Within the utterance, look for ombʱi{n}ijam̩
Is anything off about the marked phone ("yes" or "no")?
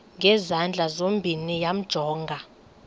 no